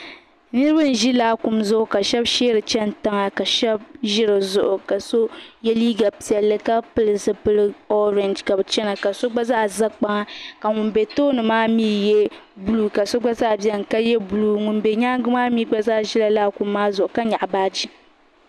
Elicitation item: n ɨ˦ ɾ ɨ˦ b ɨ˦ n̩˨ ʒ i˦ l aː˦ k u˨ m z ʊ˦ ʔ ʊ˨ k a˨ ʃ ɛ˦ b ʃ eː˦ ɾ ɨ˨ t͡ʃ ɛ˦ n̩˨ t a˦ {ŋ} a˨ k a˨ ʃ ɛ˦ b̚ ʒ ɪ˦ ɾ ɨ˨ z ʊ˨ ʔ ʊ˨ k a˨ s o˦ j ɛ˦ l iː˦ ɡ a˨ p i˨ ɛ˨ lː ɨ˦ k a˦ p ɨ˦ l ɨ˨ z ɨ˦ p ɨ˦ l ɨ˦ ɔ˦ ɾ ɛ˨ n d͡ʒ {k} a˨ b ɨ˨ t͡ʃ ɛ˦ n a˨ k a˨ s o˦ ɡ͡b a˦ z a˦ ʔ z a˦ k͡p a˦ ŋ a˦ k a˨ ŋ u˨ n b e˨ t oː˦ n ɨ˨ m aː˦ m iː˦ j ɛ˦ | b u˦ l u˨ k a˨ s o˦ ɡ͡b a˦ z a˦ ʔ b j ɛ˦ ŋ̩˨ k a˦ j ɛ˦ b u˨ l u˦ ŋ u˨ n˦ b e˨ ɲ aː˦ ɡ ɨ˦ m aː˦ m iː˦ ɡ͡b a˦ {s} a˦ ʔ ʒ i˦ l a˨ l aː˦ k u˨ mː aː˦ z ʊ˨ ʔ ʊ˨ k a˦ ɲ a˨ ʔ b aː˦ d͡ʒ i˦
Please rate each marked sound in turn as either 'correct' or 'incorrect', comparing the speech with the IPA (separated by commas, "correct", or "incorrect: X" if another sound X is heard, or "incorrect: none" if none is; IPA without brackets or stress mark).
correct, correct, incorrect: z